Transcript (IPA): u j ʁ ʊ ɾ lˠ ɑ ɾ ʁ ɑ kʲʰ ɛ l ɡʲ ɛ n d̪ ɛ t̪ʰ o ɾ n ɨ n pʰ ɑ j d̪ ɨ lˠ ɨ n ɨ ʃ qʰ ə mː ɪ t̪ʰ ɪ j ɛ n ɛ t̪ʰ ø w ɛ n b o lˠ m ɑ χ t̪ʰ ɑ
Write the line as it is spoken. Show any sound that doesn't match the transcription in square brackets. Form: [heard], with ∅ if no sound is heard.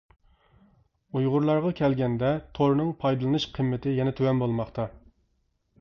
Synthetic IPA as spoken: u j ʁ ʊ ɾ lˠ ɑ ɾ ʁ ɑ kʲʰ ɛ l ɡʲ ɛ n d̪ ɛ t̪ʰ o ɾ n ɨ [ŋ] pʰ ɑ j d̪ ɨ lˠ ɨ n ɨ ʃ qʰ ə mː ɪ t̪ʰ ɪ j ɛ n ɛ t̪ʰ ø w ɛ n b o lˠ m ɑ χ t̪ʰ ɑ